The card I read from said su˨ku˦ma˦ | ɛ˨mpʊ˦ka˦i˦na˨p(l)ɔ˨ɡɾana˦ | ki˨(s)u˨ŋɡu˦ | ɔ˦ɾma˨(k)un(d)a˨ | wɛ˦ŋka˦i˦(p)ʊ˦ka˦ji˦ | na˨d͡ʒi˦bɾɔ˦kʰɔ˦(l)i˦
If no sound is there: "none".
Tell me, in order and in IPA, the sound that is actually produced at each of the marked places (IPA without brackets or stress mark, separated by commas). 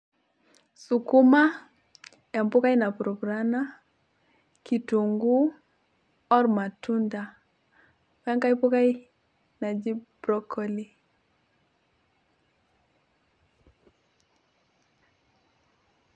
ɾ, t, t, d, p, l